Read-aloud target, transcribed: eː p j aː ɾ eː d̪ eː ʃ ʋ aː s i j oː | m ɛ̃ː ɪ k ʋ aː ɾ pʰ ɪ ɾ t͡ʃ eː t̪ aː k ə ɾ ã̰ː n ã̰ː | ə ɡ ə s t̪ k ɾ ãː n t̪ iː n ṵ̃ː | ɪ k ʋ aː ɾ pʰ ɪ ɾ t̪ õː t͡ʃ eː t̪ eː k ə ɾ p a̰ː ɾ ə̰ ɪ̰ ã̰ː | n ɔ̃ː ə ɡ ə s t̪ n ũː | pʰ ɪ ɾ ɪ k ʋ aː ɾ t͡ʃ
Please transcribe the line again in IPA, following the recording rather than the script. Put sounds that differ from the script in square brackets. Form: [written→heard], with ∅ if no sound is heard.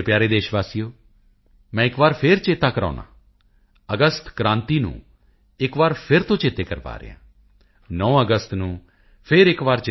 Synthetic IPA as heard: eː p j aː ɾ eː d̪ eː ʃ ʋ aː s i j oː | m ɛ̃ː ɪ k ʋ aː ɾ pʰ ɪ ɾ t͡ʃ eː t̪ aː k ə ɾ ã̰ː n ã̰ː | ə ɡ ə s t̪ k ɾ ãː n t̪ iː n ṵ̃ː | ɪ k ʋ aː ɾ pʰ ɪ ɾ t̪ õː t͡ʃ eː t̪ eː k ə ɾ p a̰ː ɾ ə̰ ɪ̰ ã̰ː | n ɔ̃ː ə ɡ ə s t̪ n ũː | pʰ ɪ ɾ ɪ k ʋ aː ɾ t͡ʃ